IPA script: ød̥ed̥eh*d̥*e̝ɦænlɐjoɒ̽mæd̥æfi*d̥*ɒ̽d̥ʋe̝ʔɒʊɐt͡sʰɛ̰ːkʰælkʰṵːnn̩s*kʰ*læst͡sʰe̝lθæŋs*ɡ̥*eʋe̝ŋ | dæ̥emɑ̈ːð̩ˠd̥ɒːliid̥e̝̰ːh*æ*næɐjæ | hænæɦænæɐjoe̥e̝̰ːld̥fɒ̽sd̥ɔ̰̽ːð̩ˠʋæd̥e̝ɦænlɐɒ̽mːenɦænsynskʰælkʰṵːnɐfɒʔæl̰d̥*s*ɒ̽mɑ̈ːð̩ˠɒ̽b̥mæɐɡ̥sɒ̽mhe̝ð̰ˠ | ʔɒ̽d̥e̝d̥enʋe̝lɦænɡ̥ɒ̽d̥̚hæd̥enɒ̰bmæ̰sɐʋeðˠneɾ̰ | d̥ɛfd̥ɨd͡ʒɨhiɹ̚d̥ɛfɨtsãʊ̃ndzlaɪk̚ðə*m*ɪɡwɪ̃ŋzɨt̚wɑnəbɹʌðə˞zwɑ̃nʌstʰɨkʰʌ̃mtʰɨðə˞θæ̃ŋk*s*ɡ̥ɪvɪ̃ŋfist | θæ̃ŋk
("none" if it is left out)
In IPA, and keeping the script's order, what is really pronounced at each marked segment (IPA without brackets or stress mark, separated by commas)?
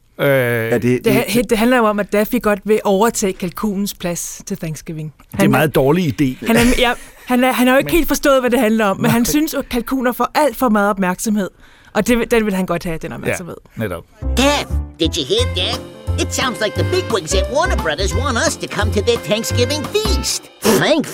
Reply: d̥, ɡ̥, pʰ, ɡ̥, æ, f, b, s